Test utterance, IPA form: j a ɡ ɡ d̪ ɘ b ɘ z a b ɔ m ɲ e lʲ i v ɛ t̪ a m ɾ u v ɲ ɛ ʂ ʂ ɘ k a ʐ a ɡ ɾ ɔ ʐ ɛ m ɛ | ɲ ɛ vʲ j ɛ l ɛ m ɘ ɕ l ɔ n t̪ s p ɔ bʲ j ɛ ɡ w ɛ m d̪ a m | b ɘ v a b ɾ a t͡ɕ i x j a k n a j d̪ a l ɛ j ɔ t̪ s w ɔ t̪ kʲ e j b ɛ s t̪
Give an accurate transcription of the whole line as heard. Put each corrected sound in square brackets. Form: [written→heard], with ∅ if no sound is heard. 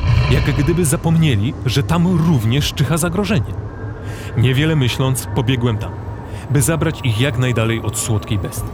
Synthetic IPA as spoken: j a ɡ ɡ d̪ ɘ b ɘ z a [b→p] ɔ m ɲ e lʲ i [v→ʐ] ɛ t̪ a m ɾ u v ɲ ɛ ʂ [ʂ→t͡ʂ] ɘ [k→x] a [ʐ→z] a ɡ ɾ ɔ ʐ ɛ [m→ɲ] ɛ | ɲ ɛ vʲ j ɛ l ɛ m ɘ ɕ l ɔ n t̪ s p ɔ bʲ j ɛ ɡ w ɛ m [d̪→t̪] a m | b ɘ [v→z] a b ɾ a t͡ɕ i x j a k n a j d̪ a l ɛ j ɔ t̪ s w ɔ t̪ kʲ e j b ɛ s t̪